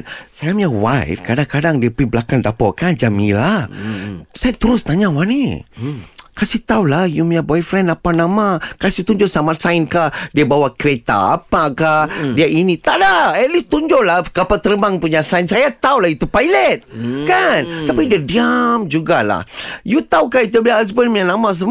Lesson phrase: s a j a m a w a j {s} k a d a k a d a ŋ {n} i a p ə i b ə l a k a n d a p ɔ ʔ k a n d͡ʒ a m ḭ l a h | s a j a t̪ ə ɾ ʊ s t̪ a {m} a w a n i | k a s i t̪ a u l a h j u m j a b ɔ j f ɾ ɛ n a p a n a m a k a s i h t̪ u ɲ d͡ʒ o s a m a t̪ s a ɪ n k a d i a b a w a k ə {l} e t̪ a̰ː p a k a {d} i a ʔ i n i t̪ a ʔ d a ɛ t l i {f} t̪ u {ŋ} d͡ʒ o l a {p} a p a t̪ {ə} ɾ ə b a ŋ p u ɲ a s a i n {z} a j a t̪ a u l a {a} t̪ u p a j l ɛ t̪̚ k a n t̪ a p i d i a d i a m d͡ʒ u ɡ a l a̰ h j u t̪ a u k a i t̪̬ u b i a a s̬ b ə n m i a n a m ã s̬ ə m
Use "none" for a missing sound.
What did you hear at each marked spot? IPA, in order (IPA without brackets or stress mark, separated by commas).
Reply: f, d, ɲ, ɾ, d, s, ɲ, k, ə, s, i